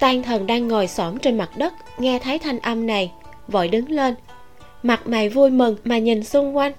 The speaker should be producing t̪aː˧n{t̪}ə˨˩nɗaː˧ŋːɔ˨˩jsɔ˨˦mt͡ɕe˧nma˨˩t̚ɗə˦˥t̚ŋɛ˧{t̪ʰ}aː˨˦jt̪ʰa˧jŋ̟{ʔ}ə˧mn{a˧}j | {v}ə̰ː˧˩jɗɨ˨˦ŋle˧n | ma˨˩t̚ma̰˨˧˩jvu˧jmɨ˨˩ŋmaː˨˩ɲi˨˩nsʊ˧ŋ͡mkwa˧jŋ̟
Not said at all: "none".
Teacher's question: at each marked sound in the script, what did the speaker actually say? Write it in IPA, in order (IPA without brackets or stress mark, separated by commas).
t̪ʰ, t̪ʰ, ʔ, a˨˩, v